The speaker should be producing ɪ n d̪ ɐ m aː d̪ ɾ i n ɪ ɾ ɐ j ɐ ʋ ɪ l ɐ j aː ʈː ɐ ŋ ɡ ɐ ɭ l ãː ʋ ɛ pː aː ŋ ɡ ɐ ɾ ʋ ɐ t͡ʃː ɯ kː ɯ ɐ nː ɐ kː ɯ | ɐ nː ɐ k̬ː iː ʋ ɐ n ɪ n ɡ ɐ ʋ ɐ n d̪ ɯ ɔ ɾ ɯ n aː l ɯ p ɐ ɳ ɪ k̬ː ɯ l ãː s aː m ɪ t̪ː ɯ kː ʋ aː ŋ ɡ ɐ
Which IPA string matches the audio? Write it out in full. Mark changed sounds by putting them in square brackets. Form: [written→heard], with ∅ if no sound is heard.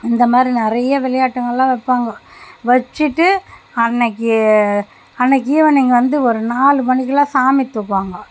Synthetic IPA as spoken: ɪ n d̪ ɐ m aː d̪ ɾ i n ɪ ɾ ɐ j ɐ ʋ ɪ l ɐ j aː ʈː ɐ ŋ ɡ ɐ ɭ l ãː ʋ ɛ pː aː ŋ ɡ ɐ [ɾ→∅] ʋ ɐ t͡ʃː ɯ [kː→ʈː] ɯ ɐ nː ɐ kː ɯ | ɐ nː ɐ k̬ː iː ʋ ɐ n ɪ [n→ŋ] ɡ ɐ ʋ ɐ n d̪ ɯ ɔ ɾ ɯ n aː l ɯ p ɐ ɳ ɪ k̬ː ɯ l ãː s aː m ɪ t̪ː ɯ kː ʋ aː ŋ ɡ ɐ

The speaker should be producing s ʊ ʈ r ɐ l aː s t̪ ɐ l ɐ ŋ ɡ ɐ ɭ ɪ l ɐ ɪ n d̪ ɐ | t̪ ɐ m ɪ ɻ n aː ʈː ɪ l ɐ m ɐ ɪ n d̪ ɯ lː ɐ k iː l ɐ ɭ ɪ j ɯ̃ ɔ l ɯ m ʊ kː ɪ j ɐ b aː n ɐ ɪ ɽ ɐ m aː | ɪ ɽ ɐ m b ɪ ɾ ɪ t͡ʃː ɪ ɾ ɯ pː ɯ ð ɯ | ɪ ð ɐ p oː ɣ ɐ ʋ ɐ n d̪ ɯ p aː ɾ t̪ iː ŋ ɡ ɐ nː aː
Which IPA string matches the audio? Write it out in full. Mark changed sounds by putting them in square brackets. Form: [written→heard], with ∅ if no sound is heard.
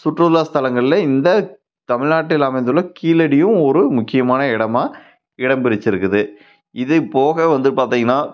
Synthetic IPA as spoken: s ʊ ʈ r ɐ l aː s t̪ ɐ l ɐ ŋ ɡ ɐ ɭ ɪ l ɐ ɪ n d̪ ɐ | t̪ ɐ m ɪ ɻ n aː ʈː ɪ l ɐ m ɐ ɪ n d̪ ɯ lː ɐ k iː l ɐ [ɭ→ɽ] ɪ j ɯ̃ ɔ [l→ɾ] ɯ m ʊ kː ɪ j ɐ [b→m] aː n ɐ ɪ ɽ ɐ m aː | ɪ ɽ ɐ m b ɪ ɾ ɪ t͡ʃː ɪ ɾ ɯ [pː→kː] ɯ ð ɯ | ɪ ð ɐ p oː ɣ ɐ ʋ ɐ n d̪ ɯ p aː ɾ t̪ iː ŋ ɡ ɐ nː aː

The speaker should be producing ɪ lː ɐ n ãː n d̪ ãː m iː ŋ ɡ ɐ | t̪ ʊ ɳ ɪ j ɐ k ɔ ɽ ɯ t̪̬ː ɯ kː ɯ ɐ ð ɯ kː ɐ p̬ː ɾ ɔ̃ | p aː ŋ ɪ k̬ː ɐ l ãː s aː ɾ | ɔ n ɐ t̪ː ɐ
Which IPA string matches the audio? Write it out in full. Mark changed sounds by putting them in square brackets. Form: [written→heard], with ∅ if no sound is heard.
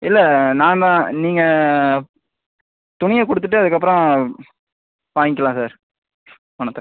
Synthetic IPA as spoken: ɪ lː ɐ n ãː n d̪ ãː [m→n] iː ŋ ɡ ɐ | t̪ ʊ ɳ ɪ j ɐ k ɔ ɽ ɯ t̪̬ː ɯ [kː→ʈː] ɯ ɐ ð ɯ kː ɐ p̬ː ɾ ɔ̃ | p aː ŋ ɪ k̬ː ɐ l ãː s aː ɾ | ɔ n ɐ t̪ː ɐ

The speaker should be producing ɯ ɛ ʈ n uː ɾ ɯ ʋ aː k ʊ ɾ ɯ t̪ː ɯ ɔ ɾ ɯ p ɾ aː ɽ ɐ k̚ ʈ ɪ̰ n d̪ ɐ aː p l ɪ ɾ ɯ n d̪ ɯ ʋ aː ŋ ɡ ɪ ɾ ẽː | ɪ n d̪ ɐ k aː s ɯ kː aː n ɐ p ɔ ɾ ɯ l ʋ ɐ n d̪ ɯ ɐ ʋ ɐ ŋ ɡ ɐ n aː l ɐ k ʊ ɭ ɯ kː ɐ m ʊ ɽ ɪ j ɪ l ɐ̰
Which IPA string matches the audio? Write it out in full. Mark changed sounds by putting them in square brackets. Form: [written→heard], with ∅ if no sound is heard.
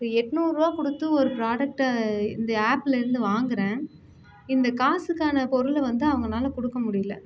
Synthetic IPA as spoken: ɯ ɛ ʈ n uː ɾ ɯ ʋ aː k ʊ [ɾ→ɽ] ɯ t̪ː ɯ ɔ ɾ ɯ p ɾ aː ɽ ɐ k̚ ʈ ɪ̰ n d̪ ɐ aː p l ɪ ɾ ɯ n d̪ ɯ ʋ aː ŋ ɡ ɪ ɾ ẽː | ɪ n d̪ ɐ k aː s ɯ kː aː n ɐ p ɔ ɾ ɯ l ʋ ɐ n d̪ ɯ ɐ ʋ ɐ ŋ ɡ ɐ n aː l ɐ k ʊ [ɭ→ɽ] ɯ kː ɐ m ʊ ɽ ɪ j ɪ l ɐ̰

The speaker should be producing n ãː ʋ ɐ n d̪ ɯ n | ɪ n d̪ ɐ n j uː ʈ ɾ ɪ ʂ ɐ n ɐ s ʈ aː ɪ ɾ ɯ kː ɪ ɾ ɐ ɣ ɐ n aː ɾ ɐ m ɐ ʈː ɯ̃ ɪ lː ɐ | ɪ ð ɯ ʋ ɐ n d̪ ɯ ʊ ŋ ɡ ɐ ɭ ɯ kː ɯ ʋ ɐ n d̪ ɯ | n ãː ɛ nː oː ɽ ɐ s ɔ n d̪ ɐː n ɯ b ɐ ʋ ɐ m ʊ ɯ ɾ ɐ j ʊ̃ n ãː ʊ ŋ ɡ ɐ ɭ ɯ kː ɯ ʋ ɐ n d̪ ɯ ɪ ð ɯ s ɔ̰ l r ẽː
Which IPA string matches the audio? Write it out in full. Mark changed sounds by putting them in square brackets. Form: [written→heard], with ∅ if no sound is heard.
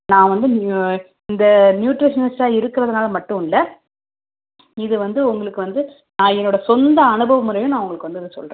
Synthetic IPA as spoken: n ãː ʋ ɐ n d̪ ɯ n | ɪ n d̪ ɐ n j uː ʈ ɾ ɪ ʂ ɐ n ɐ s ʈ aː ɪ ɾ ɯ kː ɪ ɾ ɐ [ɣ→ð] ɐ n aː [ɾ→l] ɐ m ɐ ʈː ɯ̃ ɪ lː ɐ | ɪ ð ɯ ʋ ɐ n d̪ ɯ ʊ ŋ ɡ ɐ ɭ ɯ kː ɯ ʋ ɐ n d̪ ɯ | n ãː ɛ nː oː ɽ ɐ s ɔ n d̪ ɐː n ɯ b ɐ ʋ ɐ m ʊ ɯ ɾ ɐ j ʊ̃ n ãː ʊ ŋ ɡ ɐ ɭ ɯ kː ɯ ʋ ɐ n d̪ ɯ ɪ ð ɯ s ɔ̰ l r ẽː

